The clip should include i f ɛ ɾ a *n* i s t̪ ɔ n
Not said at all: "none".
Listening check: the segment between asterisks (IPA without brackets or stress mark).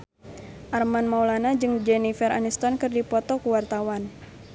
n